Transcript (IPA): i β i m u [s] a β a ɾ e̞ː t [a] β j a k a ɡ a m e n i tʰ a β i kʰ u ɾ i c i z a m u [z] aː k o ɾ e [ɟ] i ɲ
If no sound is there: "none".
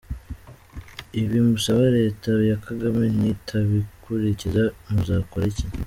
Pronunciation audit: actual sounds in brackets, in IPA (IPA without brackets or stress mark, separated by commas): s, a, z, c